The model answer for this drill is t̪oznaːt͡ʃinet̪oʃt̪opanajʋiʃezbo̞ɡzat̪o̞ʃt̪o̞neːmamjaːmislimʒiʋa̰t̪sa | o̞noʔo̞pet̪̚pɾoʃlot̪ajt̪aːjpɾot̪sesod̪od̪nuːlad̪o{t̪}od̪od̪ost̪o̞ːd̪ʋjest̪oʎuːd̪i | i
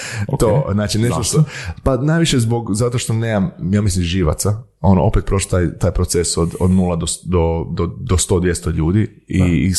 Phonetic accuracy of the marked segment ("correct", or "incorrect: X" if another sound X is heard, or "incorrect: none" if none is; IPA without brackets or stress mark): incorrect: d̪